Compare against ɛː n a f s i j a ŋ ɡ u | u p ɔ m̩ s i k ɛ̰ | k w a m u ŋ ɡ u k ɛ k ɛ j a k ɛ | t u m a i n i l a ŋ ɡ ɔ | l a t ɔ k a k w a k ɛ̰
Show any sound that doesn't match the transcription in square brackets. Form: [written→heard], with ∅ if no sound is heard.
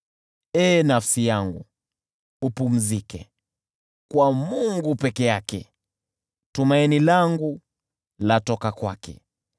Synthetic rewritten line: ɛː n a f s i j a ŋ ɡ u | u p [ɔ→u] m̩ [s→z] i k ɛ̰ | k w a m u ŋ ɡ u [k→p] ɛ k ɛ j a k ɛ | t u m a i n i l a ŋ ɡ [ɔ→u] | l a t ɔ k a k w a k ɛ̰